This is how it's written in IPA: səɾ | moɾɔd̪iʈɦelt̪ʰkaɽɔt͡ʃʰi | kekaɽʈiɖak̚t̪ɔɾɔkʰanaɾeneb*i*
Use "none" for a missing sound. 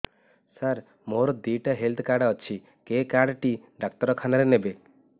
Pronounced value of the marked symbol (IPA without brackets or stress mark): e